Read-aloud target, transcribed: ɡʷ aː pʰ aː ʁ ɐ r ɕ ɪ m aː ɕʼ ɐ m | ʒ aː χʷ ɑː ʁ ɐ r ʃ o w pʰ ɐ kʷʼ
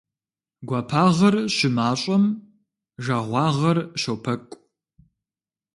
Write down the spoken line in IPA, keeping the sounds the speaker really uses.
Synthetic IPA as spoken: ɡʷ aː pʰ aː ʁ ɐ r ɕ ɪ m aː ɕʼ ɐ m | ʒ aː ʁʷ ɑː ʁ ɐ r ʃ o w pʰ ɐ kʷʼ